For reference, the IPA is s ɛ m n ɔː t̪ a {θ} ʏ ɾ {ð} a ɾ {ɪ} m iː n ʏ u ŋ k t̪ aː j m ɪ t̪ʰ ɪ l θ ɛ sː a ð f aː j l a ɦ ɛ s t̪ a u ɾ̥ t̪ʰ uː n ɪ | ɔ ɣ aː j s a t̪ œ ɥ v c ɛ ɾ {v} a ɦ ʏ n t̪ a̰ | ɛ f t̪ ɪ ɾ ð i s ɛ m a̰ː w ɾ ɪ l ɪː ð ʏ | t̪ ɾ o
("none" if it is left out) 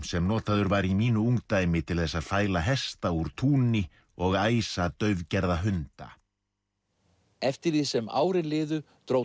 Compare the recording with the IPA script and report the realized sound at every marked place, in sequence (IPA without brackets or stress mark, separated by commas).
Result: ð, v, i, ð